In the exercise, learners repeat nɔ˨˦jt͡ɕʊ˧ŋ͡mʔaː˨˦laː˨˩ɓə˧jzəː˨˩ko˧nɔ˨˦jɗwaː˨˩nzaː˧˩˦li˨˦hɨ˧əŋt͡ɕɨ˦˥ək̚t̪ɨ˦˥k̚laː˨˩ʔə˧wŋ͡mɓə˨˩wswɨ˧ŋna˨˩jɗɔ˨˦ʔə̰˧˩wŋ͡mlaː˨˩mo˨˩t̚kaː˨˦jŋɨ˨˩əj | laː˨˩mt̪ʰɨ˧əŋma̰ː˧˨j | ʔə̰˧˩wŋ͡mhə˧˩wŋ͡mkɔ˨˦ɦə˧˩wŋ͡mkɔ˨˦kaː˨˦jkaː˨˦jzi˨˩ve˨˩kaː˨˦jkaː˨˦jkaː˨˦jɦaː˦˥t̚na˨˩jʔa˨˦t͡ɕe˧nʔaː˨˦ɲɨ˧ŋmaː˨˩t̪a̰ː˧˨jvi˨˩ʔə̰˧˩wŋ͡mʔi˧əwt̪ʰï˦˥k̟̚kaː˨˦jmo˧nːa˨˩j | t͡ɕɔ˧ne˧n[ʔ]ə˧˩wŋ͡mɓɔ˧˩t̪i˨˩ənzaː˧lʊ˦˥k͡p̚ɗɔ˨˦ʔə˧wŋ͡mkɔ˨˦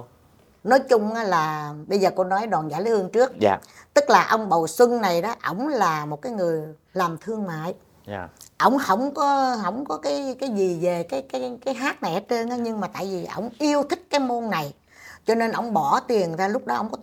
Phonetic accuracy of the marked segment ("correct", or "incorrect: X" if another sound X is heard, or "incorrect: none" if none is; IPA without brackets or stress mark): correct